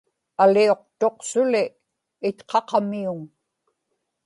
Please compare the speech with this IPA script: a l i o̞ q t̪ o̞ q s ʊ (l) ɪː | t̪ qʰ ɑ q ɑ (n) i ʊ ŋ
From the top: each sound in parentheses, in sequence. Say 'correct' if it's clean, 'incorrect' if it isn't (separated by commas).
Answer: correct, incorrect